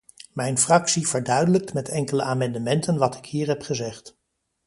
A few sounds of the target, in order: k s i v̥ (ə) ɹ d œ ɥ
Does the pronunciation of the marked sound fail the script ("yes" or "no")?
no